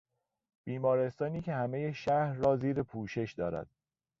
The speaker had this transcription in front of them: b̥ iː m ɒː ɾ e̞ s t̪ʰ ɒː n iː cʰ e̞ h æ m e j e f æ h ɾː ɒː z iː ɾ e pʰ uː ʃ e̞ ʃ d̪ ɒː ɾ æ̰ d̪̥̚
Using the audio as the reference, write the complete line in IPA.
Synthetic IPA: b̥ iː m ɒː ɾ e̞ s t̪ ɒː n iː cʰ e̞ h æ m e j e ʃ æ h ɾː ɒː z iː ɾ e pʰ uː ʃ e̞ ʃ d̪ ɒː ɾ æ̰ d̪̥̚